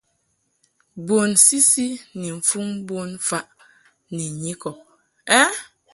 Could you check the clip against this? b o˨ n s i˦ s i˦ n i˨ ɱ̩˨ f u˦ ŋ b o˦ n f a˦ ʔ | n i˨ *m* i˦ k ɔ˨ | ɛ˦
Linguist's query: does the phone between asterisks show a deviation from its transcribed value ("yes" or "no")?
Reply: yes